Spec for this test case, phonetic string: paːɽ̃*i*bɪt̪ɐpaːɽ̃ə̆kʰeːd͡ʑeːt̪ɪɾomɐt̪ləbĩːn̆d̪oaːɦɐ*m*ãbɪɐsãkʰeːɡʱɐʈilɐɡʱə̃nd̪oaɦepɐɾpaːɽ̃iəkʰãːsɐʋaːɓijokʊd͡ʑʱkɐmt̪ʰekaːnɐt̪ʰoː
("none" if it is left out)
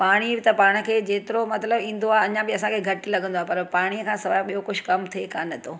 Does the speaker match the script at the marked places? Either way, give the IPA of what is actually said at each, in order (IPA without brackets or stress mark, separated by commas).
i, ɲ